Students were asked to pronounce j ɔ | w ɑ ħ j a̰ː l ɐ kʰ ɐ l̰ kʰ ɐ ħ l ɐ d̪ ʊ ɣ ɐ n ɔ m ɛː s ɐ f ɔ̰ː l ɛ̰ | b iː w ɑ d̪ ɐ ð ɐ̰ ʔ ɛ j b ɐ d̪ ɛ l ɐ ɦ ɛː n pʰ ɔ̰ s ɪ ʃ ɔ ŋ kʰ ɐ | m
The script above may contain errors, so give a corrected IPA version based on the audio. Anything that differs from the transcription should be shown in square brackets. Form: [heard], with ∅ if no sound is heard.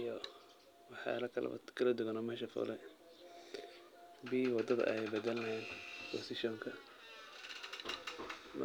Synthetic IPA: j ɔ | w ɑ ħ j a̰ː l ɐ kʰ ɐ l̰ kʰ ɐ [∅] l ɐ d̪ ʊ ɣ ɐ n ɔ m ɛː [ʃ] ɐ f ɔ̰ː l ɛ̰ | b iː w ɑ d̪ ɐ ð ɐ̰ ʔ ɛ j b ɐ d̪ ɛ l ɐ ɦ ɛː n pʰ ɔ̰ s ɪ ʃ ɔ ŋ kʰ ɐ | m